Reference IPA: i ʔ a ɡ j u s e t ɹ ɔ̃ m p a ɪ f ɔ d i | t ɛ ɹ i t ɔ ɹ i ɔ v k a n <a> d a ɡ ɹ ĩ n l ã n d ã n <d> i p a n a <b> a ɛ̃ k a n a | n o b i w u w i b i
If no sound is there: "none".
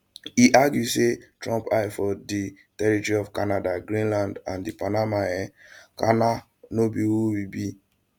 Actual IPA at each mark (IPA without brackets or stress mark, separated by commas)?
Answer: a, d, m